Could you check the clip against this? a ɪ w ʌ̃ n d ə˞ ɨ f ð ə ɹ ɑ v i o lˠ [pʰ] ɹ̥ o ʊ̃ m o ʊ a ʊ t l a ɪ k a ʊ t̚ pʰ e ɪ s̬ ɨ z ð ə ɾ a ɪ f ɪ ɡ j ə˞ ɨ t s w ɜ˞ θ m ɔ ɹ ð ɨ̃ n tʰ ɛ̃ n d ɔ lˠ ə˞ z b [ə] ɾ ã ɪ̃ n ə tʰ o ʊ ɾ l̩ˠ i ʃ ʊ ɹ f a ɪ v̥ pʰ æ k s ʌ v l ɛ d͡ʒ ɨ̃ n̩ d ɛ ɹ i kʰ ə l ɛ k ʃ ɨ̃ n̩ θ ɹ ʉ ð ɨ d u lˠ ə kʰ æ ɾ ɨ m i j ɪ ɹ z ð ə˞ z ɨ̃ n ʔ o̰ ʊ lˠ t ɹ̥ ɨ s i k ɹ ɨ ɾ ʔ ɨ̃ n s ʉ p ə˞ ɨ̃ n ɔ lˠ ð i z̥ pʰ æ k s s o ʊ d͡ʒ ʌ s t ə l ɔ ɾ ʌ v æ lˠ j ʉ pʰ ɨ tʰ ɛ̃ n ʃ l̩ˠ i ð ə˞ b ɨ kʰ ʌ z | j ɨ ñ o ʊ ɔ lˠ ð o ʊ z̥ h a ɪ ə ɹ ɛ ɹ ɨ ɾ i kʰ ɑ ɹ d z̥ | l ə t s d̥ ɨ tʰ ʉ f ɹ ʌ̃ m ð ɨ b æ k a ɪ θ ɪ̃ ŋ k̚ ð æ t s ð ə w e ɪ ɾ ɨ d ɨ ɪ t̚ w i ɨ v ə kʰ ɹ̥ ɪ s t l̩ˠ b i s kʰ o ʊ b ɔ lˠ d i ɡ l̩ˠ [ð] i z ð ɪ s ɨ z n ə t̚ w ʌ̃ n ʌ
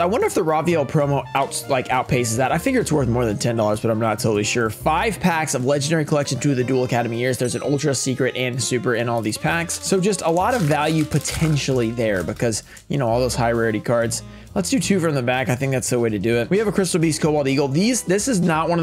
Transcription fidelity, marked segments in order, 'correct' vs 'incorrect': correct, incorrect: ʌ, correct

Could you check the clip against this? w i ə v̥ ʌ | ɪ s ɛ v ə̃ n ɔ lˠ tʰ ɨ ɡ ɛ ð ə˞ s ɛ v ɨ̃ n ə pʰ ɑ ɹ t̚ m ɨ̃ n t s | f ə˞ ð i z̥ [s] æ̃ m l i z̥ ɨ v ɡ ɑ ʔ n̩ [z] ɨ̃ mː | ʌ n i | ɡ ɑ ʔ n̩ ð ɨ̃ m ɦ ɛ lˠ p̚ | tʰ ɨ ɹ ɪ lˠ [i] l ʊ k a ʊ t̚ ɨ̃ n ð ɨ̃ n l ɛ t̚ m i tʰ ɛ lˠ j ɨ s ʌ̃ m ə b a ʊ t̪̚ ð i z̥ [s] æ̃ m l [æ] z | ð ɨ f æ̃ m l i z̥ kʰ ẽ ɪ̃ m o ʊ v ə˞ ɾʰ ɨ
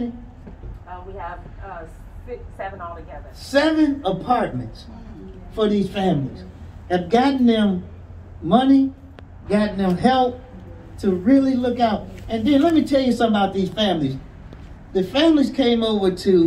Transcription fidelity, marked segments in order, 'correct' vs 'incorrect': incorrect: f, incorrect: ð, correct, incorrect: f, incorrect: i

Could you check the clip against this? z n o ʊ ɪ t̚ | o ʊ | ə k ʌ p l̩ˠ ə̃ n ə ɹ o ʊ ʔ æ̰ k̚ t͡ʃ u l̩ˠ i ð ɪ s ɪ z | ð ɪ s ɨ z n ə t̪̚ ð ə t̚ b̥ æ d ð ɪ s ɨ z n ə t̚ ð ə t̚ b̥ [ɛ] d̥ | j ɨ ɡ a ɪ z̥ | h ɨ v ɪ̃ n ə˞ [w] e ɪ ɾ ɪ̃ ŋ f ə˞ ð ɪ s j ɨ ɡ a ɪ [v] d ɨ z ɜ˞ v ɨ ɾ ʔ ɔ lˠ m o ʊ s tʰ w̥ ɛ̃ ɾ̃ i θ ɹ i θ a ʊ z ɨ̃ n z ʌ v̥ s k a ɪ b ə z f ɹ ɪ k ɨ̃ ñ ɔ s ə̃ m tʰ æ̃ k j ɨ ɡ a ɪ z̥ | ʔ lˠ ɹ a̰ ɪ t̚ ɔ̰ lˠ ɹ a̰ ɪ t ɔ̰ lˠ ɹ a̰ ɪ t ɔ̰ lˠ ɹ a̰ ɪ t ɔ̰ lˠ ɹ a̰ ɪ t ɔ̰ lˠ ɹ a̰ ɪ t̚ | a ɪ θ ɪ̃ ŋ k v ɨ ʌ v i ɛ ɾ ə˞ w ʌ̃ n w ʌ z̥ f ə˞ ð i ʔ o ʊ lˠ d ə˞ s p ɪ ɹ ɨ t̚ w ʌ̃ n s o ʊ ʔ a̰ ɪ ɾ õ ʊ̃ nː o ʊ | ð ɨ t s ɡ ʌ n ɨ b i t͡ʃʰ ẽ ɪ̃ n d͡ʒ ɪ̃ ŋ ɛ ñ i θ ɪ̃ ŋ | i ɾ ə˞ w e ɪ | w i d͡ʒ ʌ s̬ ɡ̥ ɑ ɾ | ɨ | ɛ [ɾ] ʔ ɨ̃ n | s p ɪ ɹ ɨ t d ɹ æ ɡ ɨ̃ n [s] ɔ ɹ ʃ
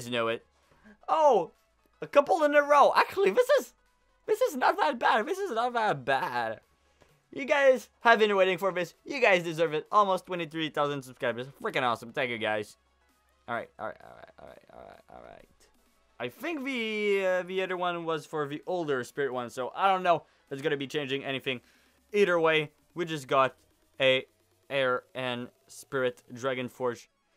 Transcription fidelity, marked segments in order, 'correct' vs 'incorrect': incorrect: æ, correct, incorrect: z, incorrect: ɹ, incorrect: f

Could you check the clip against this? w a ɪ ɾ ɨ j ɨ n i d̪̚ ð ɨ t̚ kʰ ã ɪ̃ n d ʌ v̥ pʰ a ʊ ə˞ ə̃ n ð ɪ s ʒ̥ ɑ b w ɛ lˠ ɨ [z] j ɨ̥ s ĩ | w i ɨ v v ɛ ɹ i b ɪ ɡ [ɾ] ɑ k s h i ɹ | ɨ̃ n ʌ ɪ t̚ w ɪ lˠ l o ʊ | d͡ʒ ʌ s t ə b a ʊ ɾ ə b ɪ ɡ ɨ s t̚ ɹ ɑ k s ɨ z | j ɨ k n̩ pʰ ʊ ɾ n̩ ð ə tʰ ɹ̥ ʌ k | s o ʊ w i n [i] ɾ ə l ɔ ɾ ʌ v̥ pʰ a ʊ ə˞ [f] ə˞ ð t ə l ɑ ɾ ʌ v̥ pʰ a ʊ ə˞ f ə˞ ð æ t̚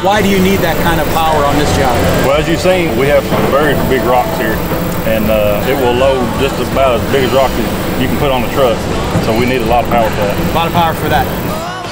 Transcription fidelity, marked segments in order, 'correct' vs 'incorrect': correct, incorrect: ɹ, correct, correct

